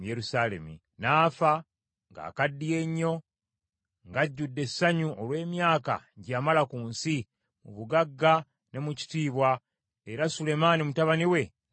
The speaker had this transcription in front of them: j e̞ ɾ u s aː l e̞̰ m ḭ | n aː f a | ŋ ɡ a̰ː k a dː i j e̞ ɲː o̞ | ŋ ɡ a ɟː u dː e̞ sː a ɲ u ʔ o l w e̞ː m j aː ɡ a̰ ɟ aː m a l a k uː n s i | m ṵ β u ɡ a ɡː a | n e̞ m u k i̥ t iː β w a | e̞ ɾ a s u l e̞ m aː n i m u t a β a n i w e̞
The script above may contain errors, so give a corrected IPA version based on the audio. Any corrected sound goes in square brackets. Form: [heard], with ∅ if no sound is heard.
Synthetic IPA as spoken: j e̞ ɾ u s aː l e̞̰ m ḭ | n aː f a | ŋ ɡ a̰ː k a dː i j e̞ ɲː o̞ | ŋ ɡ a ɟː u dː e̞ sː a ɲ u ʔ o l w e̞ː m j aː [k] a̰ ɟ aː m a l a k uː n s i | m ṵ β u ɡ a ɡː a | n e̞ m u [c] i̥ t iː β w a | e̞ ɾ a s u l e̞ m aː n i m u t a β a n i w e̞